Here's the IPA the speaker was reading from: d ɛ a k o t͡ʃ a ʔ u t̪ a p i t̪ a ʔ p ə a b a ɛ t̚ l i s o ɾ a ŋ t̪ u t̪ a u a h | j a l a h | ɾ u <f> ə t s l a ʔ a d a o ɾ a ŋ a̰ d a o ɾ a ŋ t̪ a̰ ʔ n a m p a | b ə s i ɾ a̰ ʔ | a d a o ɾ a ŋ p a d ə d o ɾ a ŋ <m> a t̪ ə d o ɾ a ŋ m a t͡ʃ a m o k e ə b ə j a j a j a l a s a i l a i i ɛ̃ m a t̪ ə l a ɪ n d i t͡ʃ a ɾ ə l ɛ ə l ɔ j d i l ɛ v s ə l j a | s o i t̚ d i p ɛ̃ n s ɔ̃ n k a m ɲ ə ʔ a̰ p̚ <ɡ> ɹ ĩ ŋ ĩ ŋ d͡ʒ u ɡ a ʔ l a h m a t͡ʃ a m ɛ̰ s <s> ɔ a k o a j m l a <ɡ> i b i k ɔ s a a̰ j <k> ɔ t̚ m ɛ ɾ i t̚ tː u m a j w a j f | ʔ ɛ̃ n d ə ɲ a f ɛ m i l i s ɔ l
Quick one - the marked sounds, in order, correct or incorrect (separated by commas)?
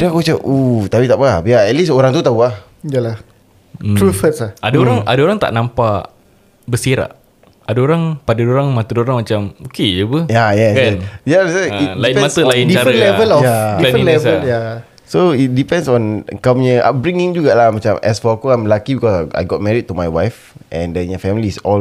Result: correct, correct, incorrect, incorrect, incorrect, incorrect